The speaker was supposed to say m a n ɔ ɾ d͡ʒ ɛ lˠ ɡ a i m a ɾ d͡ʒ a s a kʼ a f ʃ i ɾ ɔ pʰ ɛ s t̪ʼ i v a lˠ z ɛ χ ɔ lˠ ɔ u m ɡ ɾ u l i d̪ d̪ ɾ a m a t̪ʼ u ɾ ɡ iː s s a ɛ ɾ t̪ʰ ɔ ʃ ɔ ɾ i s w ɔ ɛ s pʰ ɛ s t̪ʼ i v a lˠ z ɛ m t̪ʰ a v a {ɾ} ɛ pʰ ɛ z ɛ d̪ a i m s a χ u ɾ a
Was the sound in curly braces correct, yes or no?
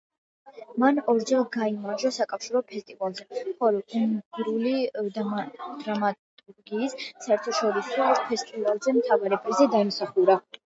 yes